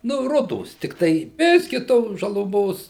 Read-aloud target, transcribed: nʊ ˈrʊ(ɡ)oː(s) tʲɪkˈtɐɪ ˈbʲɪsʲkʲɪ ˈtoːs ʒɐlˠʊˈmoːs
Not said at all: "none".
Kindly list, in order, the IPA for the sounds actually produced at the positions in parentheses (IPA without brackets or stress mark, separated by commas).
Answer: d, s